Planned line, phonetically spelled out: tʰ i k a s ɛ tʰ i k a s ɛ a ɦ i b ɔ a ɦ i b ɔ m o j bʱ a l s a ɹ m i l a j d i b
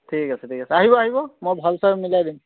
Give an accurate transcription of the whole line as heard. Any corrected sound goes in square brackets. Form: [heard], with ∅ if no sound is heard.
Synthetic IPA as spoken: tʰ i k a s ɛ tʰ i k a s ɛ a ɦ i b ɔ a ɦ i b ɔ m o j bʱ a l s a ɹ m i l a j d i [m]